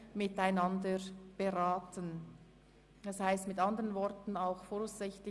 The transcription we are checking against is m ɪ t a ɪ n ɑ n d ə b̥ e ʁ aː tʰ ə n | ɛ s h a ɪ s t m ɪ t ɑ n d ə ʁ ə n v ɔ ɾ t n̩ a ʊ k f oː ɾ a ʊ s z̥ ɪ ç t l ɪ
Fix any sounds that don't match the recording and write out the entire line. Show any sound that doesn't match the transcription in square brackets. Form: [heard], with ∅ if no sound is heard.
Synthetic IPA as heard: m ɪ t a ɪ n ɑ n d ə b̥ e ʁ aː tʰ ə n | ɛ s h a ɪ s t m ɪ t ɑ n d ə ʁ ə n v ɔ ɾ t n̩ a ʊ [x] f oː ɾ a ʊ s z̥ ɪ ç t l ɪ